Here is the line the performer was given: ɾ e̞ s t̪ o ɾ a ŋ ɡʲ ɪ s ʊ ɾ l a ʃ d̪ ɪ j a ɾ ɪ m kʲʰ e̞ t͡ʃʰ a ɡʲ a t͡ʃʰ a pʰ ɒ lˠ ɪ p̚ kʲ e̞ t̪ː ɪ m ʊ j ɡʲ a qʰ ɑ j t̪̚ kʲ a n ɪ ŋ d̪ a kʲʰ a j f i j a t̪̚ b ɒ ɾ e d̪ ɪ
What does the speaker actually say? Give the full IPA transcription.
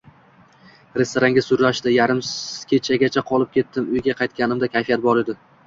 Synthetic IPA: ɾ e̞ s t̪ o ɾ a ŋ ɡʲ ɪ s ʊ ɾ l a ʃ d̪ ɪ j a ɾ ɪ m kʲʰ e̞ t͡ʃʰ a ɡʲ a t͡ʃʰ a qʰ ɒ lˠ ɪ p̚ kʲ e̞ t̪ː ɪ m ʊ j ɡʲ a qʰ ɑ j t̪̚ kʲ a n ɪ m d̪ a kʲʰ a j f i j a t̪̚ b ɒ ɾ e d̪ ɪ